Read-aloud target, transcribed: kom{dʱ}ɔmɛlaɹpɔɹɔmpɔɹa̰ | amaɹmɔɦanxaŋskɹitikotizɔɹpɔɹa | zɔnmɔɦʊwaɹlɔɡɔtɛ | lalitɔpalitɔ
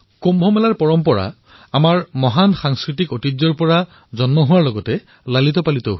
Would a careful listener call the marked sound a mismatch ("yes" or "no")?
yes